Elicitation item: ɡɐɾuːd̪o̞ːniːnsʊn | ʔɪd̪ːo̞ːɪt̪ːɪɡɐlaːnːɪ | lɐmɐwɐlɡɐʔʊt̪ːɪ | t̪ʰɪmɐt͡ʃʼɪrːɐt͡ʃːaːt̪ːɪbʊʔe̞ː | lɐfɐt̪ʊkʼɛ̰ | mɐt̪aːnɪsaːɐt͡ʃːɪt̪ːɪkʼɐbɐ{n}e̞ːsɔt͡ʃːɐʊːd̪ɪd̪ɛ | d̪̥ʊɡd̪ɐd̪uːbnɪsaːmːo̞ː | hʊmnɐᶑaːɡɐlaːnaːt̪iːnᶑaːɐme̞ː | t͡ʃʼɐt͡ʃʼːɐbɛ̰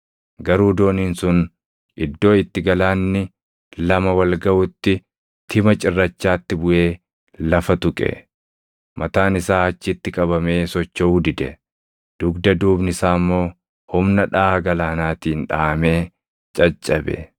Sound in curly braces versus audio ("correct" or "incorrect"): incorrect